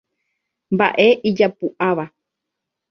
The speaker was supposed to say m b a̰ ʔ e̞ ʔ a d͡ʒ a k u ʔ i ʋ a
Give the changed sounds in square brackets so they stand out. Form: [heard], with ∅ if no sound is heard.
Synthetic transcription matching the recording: m b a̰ ʔ e̞ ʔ [i] d͡ʒ a [p] u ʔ [a] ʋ a